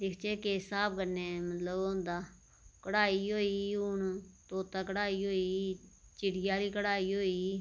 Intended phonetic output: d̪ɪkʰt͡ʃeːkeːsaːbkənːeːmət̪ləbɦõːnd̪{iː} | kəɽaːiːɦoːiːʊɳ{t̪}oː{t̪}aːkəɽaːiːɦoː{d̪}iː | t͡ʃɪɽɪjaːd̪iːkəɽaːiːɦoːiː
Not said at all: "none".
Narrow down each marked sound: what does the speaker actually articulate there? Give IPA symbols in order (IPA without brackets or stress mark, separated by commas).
aː, t̪, t̪, none